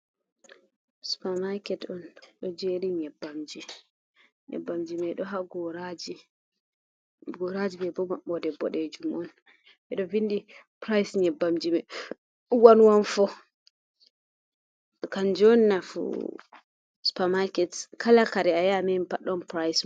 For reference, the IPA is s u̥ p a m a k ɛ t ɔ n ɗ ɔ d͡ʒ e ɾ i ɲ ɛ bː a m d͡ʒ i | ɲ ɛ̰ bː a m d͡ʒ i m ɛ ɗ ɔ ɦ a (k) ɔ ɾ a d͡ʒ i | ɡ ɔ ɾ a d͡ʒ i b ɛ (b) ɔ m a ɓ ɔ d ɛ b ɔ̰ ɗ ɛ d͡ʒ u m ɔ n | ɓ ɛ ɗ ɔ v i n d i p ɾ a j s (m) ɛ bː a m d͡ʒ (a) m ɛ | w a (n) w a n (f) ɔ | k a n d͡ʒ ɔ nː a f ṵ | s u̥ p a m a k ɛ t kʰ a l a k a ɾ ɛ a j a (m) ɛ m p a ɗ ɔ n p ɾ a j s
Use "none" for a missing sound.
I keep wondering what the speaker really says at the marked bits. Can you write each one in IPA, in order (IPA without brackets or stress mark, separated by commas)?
ɡ, b, ɲ, i, n, f, m